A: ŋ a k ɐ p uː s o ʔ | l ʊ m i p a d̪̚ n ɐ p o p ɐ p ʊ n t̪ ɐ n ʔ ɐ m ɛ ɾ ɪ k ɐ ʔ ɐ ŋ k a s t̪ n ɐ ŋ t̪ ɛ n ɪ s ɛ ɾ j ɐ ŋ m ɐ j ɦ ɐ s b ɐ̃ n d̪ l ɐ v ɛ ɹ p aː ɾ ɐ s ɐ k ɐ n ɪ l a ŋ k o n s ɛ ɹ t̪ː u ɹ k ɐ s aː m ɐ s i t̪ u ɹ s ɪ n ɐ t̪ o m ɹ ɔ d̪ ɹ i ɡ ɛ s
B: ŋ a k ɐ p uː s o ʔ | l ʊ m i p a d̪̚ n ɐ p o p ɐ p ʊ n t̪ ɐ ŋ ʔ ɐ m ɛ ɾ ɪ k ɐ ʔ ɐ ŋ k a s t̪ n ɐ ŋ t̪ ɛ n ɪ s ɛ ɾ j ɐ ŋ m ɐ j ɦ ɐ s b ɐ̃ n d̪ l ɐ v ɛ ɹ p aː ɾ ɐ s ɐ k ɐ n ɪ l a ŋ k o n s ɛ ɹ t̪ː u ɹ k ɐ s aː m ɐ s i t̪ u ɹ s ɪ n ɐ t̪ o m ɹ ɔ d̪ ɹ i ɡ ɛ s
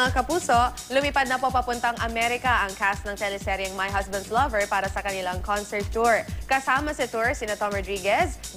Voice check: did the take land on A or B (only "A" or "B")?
B